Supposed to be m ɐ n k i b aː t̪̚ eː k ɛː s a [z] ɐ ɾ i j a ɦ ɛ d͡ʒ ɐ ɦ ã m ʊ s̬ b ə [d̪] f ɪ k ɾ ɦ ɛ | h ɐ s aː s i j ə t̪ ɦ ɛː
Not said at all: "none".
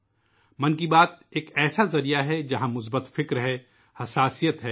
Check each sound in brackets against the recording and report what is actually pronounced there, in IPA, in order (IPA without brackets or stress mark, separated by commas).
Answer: z, t̪